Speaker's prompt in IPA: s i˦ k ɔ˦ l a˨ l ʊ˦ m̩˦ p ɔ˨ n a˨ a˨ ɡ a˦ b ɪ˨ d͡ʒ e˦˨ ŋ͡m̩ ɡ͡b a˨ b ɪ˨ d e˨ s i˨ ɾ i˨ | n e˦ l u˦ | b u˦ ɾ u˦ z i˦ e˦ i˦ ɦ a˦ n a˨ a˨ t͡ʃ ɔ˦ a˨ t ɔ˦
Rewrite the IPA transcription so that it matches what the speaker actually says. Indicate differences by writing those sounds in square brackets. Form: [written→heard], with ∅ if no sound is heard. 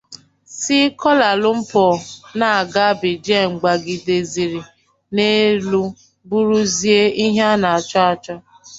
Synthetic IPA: s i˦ k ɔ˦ l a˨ l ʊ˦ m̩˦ p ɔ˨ n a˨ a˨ ɡ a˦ b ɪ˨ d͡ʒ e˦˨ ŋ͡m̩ ɡ͡b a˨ [b→ɡ] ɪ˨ d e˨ [s→z] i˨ ɾ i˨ | n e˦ l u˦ | b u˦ ɾ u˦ z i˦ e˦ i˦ ɦ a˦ n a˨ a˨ t͡ʃ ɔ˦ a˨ [t→t͡ʃ] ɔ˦